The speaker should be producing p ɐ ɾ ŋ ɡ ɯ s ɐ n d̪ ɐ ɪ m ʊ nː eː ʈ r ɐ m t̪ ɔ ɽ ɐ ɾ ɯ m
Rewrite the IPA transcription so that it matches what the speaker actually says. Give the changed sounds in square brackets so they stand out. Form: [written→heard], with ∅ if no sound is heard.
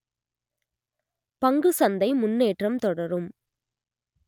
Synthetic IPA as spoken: p ɐ [ɾ→∅] ŋ ɡ ɯ s ɐ n d̪ ɐ ɪ m ʊ nː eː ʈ r ɐ m t̪ ɔ ɽ ɐ ɾ ɯ m